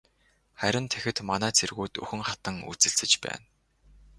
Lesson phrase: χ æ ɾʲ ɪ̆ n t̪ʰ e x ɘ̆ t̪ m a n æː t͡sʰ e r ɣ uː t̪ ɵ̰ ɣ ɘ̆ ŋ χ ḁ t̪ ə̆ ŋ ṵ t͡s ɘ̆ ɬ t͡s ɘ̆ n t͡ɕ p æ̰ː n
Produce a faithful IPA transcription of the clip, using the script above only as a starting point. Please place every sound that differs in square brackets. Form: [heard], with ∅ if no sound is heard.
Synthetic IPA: χ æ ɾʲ ɪ̆ n t̪ʰ e x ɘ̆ t̪ m a n æː t͡sʰ e r ɣ uː t̪ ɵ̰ [x] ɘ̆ ŋ χ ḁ t̪ ə̆ ŋ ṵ t͡s ɘ̆ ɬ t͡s ɘ̆ [∅] t͡ɕ p æ̰ː n